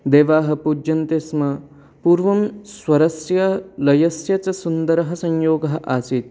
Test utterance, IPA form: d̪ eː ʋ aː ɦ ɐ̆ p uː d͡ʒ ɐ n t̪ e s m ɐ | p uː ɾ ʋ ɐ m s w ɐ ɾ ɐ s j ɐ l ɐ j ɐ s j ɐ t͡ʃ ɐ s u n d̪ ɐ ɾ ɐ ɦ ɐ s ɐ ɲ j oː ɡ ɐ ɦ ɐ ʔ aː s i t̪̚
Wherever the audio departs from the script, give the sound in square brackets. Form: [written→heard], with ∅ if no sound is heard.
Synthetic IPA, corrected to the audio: d̪ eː ʋ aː ɦ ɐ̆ p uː d͡ʒ ɐ n t̪ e s m ɐ | p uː ɾ ʋ ɐ m s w ɐ ɾ ɐ s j ɐ l ɐ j ɐ s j ɐ t͡ʃ ɐ s u n d̪ ɐ ɾ ɐ ɦ ɐ s ɐ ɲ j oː ɡ ɐ ɦ ɐ ʔ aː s i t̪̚

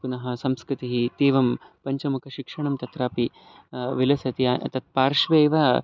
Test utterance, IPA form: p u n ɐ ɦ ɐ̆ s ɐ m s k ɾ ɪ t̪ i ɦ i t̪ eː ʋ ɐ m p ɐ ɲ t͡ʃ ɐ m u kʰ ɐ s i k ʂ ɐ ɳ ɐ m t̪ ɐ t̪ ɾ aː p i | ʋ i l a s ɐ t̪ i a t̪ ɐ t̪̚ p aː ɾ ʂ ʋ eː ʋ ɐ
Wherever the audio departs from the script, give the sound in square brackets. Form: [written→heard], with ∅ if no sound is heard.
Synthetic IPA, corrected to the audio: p u n ɐ ɦ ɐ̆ s ɐ m s k ɾ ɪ t̪ i ɦ i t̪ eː ʋ ɐ m p ɐ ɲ t͡ʃ ɐ m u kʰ ɐ [s→ʃ] i k ʂ ɐ ɳ ɐ m t̪ ɐ t̪ ɾ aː p i | ʋ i l [a→ɐ] s ɐ t̪ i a t̪ ɐ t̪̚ p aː ɾ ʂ ʋ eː ʋ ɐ

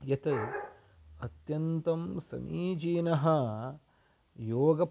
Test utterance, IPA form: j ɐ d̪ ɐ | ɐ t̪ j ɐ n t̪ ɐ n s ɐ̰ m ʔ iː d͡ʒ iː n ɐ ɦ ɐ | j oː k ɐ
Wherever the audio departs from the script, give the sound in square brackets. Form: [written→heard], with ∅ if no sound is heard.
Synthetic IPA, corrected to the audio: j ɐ [d̪→t̪] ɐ | ɐ t̪ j ɐ n t̪ ɐ [n→m] s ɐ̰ m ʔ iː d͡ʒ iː n ɐ ɦ ɐ | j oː [k→ɡ] ɐ

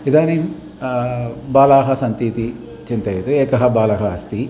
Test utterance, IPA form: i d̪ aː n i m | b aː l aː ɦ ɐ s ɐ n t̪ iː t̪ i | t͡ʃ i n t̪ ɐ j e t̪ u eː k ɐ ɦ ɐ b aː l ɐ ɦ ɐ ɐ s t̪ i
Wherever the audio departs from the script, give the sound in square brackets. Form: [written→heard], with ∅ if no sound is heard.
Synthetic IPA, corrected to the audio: i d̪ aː n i m | b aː l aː ɦ ɐ s ɐ n t̪ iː t̪ i | t͡ʃ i n t̪ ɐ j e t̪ u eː k ɐ ɦ ɐ b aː l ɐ ɦ ɐ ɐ s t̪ i

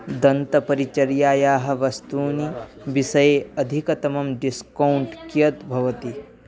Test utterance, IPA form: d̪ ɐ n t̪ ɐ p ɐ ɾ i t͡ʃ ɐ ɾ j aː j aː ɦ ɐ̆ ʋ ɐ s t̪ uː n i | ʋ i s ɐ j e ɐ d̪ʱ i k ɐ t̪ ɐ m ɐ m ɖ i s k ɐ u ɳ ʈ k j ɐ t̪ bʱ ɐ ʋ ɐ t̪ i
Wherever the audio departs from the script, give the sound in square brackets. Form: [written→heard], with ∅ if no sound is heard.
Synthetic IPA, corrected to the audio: d̪ ɐ n t̪ ɐ p ɐ ɾ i t͡ʃ ɐ ɾ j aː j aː ɦ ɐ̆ ʋ ɐ s t̪ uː n i | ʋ i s ɐ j e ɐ d̪ʱ i k ɐ t̪ ɐ m ɐ m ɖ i s k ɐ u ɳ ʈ k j ɐ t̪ bʱ ɐ ʋ ɐ t̪ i

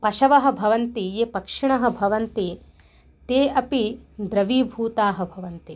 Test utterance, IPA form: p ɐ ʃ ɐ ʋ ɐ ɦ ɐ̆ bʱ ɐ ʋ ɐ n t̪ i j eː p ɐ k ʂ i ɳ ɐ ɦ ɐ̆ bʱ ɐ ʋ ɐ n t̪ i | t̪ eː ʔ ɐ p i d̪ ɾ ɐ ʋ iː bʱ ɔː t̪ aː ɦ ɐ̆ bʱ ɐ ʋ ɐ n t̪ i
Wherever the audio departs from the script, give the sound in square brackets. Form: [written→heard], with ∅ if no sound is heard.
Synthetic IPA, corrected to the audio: p ɐ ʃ ɐ ʋ ɐ ɦ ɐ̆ bʱ ɐ ʋ ɐ n t̪ i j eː p ɐ k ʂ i ɳ ɐ ɦ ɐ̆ bʱ ɐ ʋ ɐ n t̪ i | t̪ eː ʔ ɐ p i d̪ ɾ ɐ ʋ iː bʱ [ɔː→uː] t̪ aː ɦ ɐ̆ bʱ ɐ ʋ ɐ n t̪ i

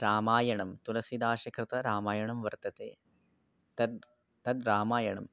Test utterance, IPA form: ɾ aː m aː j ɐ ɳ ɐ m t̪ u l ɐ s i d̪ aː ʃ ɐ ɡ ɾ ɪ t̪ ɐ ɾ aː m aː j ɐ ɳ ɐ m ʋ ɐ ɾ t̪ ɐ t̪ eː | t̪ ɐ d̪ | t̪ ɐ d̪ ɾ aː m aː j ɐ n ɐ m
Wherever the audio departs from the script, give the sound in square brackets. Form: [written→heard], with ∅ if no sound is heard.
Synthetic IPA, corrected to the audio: ɾ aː m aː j ɐ ɳ ɐ m t̪ u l ɐ s i d̪ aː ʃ ɐ [ɡ→k] ɾ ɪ t̪ ɐ ɾ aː m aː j ɐ ɳ ɐ m ʋ ɐ ɾ t̪ ɐ t̪ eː | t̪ ɐ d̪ | t̪ ɐ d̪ ɾ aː m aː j ɐ [n→ɳ] ɐ m

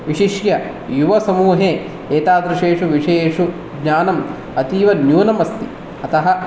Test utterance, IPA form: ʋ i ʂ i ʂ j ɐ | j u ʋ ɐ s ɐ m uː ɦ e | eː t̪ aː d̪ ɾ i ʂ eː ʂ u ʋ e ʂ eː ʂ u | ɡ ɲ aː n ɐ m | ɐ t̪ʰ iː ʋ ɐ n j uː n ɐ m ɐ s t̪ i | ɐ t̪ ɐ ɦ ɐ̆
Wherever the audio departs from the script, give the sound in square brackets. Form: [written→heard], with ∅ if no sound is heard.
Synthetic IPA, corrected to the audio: ʋ i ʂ i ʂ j ɐ | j u ʋ ɐ s ɐ m uː ɦ e | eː t̪ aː d̪ ɾ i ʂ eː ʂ u ʋ [e→i] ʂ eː ʂ u | ɡ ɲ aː n ɐ m | ɐ [t̪ʰ→t̪] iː ʋ ɐ n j uː n ɐ m ɐ s t̪ i | ɐ t̪ ɐ ɦ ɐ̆

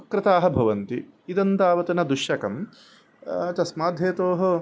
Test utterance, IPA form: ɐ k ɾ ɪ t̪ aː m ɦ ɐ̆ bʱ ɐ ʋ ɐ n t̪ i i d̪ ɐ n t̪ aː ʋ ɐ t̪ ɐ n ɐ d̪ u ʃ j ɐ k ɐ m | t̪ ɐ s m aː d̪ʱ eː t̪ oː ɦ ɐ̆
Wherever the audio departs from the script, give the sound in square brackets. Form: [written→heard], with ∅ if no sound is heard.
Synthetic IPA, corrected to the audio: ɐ k ɾ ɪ t̪ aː [m→∅] ɦ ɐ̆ bʱ ɐ ʋ ɐ n t̪ i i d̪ ɐ n t̪ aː ʋ ɐ t̪ ɐ n ɐ d̪ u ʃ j ɐ k ɐ m | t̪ ɐ s m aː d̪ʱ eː t̪ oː ɦ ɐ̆

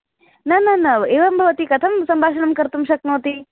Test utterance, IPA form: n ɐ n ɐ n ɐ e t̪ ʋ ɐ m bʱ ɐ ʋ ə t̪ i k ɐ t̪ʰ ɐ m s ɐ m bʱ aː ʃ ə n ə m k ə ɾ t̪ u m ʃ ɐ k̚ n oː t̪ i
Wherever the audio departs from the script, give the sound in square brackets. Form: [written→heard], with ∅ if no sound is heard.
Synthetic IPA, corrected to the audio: n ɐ n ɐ n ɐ e [t̪→∅] ʋ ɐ m bʱ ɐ ʋ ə t̪ i k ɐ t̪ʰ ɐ m s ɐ m bʱ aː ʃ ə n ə m k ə ɾ t̪ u m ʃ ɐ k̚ n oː t̪ i

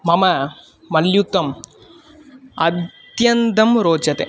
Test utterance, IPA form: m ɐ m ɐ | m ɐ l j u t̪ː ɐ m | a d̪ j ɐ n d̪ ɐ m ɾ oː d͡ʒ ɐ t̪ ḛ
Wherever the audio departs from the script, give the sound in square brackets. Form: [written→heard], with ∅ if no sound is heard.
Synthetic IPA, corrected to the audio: m ɐ m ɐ | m ɐ l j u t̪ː ɐ m | [a→ɐ] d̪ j ɐ n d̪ ɐ m ɾ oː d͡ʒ ɐ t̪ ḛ

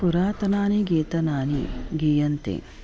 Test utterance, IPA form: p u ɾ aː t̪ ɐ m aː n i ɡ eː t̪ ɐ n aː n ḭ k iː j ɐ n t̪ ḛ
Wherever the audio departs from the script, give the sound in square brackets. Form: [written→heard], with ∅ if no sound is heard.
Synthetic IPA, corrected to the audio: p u ɾ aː t̪ ɐ [m→n] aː n i ɡ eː t̪ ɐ n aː n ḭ [k→ɡ] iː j ɐ n t̪ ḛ

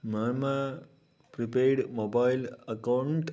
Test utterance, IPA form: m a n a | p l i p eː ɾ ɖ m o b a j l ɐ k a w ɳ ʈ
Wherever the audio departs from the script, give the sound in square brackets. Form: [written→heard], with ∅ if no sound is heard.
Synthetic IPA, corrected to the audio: m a [n→m] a | p [l→ɾ] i p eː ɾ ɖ m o b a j l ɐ k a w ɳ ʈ

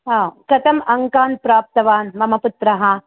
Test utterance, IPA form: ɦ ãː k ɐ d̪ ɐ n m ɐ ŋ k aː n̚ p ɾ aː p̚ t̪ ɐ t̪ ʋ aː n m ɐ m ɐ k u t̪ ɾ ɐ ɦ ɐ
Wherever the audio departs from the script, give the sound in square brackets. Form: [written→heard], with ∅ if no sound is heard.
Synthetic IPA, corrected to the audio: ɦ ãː k ɐ [d̪→t̪] ɐ [n→∅] m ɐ ŋ k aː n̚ p ɾ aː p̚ t̪ ɐ [t̪→∅] ʋ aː n m ɐ m ɐ [k→p] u t̪ ɾ ɐ ɦ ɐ

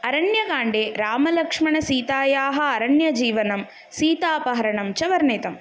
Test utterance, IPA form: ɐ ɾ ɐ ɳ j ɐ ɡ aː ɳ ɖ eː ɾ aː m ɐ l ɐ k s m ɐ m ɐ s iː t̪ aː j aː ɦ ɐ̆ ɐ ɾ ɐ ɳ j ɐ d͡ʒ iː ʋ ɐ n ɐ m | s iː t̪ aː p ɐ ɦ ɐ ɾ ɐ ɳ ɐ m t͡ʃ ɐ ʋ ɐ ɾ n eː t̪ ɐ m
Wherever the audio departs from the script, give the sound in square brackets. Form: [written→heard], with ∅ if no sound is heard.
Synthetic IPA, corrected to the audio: ɐ ɾ ɐ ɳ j ɐ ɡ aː ɳ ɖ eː ɾ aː m ɐ l ɐ k [s→ʂ] m ɐ [m→ɳ] ɐ s iː t̪ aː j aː ɦ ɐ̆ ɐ ɾ ɐ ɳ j ɐ d͡ʒ iː ʋ ɐ n ɐ m | s iː t̪ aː p ɐ ɦ ɐ ɾ ɐ ɳ ɐ m t͡ʃ ɐ ʋ ɐ ɾ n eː t̪ ɐ m

